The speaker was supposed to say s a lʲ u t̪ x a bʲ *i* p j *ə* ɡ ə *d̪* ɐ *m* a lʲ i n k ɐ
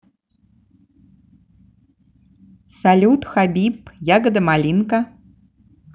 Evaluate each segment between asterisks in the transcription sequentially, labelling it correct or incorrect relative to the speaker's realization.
correct, incorrect: a, correct, correct

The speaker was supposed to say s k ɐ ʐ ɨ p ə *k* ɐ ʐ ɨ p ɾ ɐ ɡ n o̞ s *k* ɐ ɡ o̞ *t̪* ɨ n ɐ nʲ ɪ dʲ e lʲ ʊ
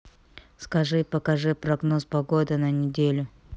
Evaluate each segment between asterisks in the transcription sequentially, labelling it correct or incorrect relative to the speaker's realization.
correct, incorrect: p, incorrect: d̪

